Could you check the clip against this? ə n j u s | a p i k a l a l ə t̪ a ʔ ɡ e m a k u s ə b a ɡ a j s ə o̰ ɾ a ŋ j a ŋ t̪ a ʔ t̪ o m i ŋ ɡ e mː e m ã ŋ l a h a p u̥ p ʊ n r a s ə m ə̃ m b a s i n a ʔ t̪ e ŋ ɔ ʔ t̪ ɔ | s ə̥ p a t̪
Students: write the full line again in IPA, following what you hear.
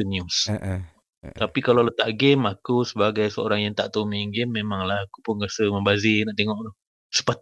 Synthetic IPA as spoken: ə n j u s | a p i k a l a l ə t̪ a ʔ ɡ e m a k u s ə b a ɡ a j s ə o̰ ɾ a ŋ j a ŋ t̪ a ʔ t̪ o m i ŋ ɡ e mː e m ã ŋ l a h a k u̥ p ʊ n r a s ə m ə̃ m b a z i n a ʔ t̪ e ŋ ɔ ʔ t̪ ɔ | s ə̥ p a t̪